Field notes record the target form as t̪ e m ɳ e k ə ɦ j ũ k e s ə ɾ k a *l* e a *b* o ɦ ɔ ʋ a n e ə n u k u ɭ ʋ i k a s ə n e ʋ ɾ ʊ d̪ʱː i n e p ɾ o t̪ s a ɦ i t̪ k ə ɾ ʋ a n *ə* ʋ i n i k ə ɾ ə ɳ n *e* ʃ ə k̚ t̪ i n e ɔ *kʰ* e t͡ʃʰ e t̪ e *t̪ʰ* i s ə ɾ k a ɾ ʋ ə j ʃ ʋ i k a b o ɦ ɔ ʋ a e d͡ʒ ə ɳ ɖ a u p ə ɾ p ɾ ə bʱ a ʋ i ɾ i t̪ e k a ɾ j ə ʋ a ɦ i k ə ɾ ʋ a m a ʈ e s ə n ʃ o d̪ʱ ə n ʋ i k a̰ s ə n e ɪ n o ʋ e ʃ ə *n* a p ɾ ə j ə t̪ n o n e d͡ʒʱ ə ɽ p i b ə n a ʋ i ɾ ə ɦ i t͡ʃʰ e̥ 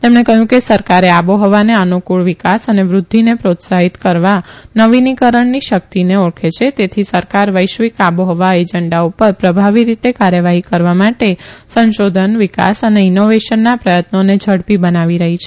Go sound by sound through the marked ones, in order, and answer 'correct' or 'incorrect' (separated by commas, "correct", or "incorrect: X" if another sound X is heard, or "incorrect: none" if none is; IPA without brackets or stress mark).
incorrect: ɾ, correct, correct, incorrect: i, correct, correct, incorrect: nː